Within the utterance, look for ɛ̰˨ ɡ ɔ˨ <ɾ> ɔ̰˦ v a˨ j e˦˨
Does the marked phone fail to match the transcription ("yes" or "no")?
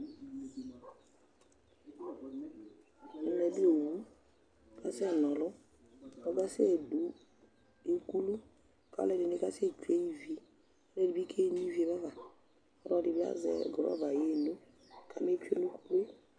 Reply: no